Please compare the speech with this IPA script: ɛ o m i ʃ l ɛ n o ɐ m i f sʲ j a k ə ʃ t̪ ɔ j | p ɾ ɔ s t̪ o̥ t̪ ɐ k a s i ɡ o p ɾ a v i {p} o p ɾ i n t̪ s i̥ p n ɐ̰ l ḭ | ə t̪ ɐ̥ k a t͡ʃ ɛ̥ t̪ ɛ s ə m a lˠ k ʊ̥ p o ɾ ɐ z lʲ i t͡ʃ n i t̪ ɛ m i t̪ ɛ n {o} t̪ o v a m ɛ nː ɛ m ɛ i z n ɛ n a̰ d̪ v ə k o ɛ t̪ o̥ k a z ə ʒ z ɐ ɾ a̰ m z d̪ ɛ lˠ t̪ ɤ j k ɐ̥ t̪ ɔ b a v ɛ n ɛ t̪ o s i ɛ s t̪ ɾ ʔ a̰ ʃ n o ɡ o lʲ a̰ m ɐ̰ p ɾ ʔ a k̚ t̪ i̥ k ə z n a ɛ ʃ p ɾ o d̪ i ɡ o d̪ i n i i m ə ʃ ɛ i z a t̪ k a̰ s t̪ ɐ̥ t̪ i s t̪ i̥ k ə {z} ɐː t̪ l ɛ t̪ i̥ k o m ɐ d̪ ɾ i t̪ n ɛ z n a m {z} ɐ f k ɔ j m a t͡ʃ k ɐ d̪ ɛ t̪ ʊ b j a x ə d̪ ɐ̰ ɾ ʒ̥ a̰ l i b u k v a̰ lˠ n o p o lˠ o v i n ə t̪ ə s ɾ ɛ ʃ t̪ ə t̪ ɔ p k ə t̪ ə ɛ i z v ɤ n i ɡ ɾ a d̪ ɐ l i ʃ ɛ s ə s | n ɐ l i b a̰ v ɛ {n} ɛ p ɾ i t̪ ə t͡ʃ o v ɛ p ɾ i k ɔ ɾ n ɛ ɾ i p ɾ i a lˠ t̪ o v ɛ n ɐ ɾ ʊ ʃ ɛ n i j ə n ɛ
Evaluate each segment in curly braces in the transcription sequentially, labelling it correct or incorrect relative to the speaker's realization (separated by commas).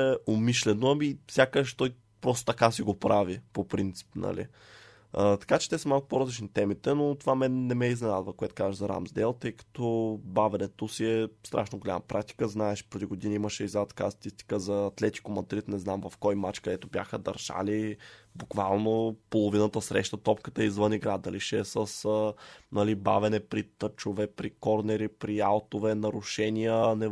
correct, correct, correct, incorrect, correct